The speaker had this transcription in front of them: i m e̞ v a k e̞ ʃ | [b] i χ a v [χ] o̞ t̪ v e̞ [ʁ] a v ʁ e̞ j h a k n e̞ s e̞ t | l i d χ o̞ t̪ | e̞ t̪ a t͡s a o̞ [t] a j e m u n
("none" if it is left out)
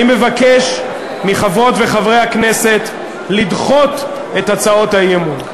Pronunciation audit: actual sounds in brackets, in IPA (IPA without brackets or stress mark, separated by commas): m, ʁ, χ, t